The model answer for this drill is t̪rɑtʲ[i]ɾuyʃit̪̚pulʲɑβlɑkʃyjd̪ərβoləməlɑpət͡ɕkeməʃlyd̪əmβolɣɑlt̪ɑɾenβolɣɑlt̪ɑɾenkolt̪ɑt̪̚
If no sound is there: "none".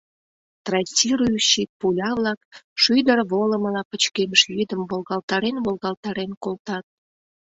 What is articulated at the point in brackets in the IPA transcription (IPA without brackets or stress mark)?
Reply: i